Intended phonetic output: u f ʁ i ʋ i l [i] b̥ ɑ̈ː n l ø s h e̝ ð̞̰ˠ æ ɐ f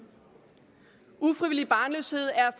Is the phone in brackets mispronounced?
no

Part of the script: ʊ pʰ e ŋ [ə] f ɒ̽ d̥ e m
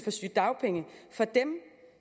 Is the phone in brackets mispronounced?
no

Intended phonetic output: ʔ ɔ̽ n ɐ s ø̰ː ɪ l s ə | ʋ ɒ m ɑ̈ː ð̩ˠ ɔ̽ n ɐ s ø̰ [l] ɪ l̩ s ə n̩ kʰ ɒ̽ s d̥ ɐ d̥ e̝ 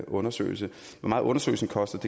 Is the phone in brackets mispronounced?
yes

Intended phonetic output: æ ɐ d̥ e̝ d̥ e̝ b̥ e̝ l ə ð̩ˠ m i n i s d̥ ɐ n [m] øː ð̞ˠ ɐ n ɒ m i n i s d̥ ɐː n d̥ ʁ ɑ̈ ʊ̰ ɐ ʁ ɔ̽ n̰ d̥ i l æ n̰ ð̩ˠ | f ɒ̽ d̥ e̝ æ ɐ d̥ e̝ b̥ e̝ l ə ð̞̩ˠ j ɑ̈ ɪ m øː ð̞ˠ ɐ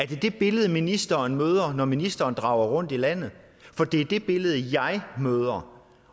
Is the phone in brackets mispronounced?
no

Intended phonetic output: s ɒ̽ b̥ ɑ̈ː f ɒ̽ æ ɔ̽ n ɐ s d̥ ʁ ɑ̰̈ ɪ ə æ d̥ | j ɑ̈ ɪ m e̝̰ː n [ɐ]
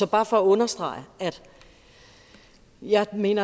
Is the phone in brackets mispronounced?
no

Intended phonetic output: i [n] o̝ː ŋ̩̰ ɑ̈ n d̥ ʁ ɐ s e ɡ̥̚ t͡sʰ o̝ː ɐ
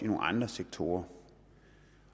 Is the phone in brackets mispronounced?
no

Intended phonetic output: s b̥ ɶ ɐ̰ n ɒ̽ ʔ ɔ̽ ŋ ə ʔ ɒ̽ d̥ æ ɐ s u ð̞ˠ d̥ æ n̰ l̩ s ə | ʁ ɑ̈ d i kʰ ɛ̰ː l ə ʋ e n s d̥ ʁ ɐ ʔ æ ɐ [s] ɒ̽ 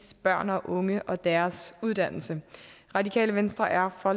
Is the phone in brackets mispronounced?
yes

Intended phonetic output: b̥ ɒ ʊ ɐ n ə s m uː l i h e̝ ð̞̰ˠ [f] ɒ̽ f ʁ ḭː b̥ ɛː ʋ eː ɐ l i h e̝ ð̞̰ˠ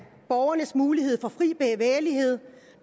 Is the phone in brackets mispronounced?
no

